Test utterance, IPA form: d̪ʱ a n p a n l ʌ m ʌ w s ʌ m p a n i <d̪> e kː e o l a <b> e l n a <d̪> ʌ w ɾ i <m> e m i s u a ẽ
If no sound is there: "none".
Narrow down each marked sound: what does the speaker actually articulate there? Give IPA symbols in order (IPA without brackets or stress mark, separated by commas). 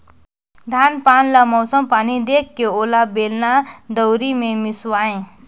d̪, b, d̪, m